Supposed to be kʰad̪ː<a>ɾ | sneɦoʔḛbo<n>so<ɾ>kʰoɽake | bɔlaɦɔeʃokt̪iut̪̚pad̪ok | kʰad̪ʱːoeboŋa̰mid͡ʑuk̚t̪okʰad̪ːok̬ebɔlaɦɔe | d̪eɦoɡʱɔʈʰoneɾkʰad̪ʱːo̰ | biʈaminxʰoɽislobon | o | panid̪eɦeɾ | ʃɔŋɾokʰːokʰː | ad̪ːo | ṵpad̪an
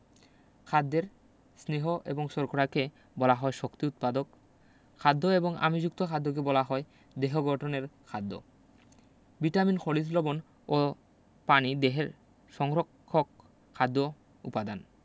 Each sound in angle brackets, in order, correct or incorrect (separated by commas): incorrect, incorrect, correct